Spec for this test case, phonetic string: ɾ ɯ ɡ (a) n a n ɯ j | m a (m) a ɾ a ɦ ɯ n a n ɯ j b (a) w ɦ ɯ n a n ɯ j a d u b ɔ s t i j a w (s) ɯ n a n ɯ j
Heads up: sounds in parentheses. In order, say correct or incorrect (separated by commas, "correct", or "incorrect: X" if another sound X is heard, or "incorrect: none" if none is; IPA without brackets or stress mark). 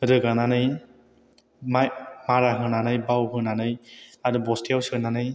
correct, correct, correct, correct